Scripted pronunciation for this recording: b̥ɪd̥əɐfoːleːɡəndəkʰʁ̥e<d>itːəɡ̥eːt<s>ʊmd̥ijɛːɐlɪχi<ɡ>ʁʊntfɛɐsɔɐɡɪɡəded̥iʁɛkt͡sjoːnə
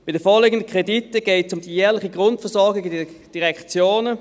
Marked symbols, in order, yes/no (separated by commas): yes, yes, yes